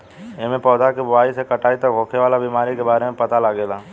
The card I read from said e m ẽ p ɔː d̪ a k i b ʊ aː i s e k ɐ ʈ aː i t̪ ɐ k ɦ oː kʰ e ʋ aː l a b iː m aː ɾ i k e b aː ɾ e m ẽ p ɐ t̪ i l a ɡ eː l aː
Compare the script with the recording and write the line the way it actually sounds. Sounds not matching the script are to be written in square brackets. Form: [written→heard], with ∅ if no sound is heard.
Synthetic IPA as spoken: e m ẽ p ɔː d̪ a k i b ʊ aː i s e k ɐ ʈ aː i t̪ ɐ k ɦ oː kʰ e ʋ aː l a b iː m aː ɾ i k e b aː ɾ e m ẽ p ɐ t̪ [i→a] l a ɡ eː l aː